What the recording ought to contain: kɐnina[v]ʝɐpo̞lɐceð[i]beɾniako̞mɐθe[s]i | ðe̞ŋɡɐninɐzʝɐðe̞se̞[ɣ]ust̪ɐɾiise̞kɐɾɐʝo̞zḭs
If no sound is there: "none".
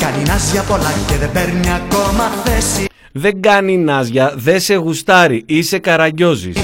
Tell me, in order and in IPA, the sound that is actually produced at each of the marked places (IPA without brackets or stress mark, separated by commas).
z, e, s, ɣ